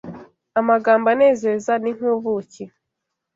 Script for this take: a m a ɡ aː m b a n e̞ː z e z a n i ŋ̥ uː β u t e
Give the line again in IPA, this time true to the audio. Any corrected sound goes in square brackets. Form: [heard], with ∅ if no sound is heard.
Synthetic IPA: a m a ɡ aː m b a n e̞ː z e z a n i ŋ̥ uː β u [c] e